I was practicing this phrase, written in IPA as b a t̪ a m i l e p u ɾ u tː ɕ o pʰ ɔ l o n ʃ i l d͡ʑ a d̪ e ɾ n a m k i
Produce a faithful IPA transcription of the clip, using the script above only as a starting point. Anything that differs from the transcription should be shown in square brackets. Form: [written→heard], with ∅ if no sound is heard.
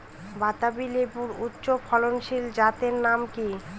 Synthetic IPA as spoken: b a t̪ a [m→b] i l e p u ɾ u tː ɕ o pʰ ɔ l o n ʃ i l d͡ʑ a [d̪→t̪] e ɾ n a m k i